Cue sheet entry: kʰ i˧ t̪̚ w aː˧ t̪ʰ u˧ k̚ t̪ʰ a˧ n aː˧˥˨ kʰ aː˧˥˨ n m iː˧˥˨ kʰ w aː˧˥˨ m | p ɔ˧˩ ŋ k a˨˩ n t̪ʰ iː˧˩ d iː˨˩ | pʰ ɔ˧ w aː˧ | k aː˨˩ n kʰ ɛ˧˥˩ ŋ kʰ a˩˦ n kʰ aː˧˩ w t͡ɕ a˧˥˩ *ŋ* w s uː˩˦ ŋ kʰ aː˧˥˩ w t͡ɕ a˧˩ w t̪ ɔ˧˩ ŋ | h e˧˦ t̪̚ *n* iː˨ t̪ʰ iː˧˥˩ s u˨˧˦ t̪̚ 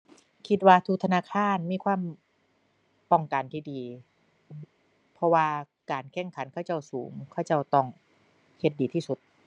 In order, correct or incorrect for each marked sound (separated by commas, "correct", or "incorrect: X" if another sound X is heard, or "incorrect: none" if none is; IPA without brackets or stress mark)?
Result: incorrect: none, incorrect: d